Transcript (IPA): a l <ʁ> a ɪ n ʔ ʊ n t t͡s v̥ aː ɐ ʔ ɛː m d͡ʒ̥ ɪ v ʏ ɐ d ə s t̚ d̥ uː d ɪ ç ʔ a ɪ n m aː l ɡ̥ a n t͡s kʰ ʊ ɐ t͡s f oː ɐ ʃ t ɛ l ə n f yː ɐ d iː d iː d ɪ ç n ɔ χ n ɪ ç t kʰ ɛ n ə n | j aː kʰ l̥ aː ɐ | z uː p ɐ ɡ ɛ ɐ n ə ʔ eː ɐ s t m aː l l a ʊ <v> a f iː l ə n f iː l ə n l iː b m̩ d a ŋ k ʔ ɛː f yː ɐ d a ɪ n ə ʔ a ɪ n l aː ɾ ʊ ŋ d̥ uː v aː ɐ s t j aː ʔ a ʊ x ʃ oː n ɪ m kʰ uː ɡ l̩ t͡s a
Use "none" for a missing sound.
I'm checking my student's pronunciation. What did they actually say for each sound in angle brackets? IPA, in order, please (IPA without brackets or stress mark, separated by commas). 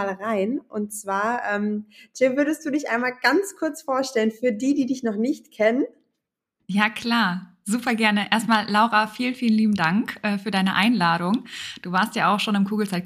ʁ, ʁ